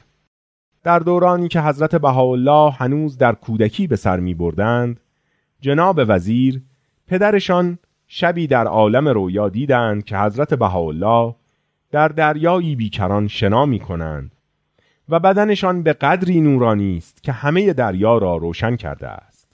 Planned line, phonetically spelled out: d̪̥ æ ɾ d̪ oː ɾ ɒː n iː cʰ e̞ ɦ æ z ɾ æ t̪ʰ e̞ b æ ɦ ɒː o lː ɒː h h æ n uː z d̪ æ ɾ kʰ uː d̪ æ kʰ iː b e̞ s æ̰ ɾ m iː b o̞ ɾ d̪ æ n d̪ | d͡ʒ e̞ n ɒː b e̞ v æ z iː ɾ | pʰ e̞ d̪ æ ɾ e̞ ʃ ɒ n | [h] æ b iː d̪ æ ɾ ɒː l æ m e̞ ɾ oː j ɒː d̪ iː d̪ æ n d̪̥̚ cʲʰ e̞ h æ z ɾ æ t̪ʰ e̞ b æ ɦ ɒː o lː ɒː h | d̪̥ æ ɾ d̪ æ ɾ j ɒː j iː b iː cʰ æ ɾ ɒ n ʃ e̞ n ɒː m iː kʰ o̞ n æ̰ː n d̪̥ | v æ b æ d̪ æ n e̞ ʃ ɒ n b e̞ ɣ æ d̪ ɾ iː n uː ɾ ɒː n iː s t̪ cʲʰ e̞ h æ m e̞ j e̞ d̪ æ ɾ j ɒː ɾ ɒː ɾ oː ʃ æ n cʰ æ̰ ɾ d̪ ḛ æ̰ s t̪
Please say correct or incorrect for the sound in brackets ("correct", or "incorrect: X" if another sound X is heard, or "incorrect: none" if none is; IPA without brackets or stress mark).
incorrect: ʃ